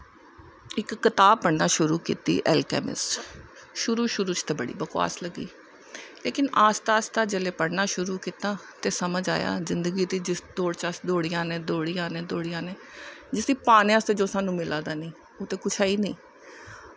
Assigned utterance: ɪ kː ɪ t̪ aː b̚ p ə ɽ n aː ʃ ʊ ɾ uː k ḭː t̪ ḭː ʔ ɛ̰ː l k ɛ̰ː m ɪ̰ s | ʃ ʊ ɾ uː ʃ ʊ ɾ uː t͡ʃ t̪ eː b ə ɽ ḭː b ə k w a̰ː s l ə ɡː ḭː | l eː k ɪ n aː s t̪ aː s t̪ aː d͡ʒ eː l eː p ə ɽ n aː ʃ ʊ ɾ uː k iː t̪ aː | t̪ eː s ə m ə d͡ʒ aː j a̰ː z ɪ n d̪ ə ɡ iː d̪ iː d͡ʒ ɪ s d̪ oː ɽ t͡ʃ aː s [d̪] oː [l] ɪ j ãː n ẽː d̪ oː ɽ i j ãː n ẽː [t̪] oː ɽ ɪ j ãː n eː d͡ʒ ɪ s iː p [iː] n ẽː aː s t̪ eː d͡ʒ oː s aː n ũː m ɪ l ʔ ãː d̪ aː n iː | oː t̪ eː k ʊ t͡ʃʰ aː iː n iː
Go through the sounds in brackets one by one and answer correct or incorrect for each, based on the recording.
correct, incorrect, incorrect, incorrect

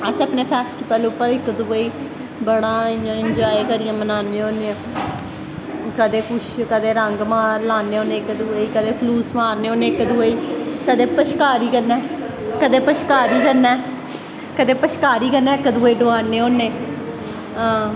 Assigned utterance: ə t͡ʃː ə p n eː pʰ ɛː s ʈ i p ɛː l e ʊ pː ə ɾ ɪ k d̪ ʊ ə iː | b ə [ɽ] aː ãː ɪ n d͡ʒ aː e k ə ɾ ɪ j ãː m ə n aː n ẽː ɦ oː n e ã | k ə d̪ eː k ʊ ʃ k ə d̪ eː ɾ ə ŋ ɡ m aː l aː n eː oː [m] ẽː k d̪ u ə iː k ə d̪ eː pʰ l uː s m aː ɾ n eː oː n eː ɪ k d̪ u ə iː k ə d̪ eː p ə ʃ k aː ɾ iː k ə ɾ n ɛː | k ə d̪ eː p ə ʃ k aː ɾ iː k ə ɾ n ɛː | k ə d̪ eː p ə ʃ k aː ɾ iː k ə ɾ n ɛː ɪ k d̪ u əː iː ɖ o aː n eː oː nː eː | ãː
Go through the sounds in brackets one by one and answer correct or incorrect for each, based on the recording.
correct, incorrect

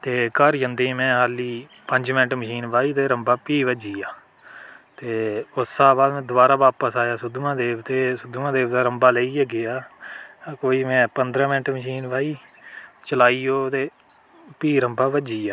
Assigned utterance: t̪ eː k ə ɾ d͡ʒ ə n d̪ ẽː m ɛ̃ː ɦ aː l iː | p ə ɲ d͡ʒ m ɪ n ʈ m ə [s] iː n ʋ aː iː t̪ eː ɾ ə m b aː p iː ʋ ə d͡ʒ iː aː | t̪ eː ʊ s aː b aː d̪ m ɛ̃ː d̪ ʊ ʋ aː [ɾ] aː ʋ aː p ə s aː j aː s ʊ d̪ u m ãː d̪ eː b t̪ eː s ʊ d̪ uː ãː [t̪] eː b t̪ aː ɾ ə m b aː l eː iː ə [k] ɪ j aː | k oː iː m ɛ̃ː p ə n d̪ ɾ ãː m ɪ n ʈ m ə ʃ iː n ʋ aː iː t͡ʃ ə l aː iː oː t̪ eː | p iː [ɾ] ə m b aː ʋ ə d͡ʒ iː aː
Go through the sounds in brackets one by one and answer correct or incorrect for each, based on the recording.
incorrect, correct, incorrect, incorrect, correct

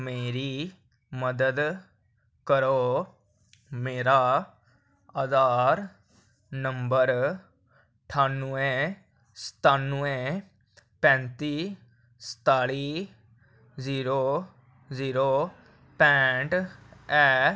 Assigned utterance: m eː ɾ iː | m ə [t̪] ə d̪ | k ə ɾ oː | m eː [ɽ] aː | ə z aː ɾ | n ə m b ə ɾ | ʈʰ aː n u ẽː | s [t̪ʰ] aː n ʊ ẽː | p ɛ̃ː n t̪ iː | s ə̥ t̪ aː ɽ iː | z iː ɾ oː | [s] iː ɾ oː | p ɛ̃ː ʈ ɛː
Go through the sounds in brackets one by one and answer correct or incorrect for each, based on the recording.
incorrect, incorrect, incorrect, incorrect

